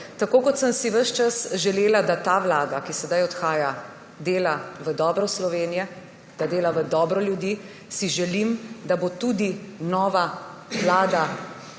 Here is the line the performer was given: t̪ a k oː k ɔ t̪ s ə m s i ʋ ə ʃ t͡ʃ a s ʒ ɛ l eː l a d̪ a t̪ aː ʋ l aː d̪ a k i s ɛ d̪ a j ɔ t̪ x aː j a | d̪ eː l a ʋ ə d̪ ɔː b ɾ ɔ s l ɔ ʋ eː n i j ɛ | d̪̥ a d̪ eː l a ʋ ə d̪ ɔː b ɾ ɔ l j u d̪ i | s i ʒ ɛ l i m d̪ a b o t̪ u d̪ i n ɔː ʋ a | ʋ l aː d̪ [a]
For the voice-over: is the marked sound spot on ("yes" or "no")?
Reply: yes